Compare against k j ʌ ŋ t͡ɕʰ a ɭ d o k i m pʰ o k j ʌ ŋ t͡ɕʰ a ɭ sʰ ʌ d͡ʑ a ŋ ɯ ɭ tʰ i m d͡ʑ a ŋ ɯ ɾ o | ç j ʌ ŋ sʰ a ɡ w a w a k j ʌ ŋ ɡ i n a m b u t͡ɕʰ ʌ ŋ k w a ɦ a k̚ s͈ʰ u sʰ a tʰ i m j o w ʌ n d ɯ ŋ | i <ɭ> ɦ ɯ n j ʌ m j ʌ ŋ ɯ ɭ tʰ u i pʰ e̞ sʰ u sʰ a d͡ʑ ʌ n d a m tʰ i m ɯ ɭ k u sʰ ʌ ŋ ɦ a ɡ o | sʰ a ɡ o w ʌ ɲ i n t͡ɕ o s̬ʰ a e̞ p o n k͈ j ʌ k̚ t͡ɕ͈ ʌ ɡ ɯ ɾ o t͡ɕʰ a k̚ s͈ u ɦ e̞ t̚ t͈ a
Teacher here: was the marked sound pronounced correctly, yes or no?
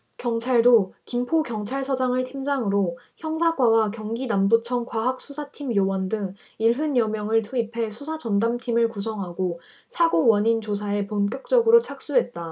yes